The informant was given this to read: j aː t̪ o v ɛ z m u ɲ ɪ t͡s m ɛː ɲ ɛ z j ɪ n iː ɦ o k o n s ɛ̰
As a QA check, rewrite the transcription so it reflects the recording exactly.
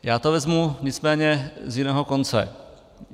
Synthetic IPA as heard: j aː t̪ o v ɛ z m u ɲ ɪ t͡s m ɛː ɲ ɛ z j ɪ n ɛː ɦ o k o n t͡s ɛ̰